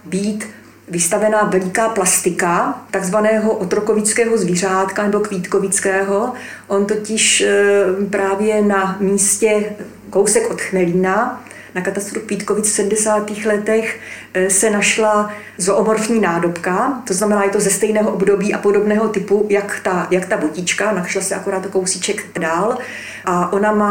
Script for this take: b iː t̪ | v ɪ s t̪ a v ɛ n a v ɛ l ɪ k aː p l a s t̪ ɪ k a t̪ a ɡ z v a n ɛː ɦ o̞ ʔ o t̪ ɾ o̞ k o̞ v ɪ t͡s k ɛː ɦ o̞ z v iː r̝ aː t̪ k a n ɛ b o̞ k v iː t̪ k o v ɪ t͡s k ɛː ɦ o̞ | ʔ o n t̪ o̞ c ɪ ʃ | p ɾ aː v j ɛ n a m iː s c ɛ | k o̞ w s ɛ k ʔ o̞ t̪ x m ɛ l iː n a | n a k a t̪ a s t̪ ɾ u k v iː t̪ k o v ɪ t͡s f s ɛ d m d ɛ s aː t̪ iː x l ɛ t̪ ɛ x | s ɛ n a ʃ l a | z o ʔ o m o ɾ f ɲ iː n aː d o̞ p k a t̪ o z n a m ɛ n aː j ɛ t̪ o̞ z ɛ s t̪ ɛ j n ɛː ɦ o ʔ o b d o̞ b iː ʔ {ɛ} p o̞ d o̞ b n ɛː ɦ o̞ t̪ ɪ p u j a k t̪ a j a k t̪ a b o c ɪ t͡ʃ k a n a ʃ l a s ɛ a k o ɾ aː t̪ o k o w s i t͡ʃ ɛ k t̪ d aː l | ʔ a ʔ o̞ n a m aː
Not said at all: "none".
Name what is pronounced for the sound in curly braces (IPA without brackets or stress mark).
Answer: a